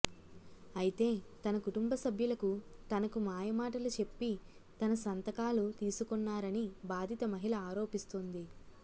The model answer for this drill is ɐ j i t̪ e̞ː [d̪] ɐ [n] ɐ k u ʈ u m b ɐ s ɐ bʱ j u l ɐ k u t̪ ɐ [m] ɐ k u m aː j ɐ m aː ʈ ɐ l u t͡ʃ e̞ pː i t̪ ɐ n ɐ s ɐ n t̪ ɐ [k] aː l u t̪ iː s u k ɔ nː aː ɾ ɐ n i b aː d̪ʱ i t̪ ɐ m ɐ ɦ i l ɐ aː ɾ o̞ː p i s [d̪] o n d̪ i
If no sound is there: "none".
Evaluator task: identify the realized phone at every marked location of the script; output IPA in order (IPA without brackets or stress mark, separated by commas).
t̪, n, n, k, t̪